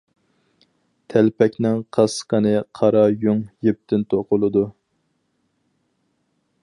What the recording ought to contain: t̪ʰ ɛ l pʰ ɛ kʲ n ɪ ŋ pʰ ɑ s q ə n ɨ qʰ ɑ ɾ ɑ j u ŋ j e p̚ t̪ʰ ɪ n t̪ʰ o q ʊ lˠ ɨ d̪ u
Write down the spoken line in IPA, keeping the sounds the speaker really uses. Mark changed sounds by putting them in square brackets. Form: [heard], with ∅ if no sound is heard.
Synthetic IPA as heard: t̪ʰ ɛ l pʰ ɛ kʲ n ɪ ŋ [qʰ] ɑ s q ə n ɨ qʰ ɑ ɾ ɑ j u ŋ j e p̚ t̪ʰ ɪ n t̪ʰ o q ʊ lˠ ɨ d̪ u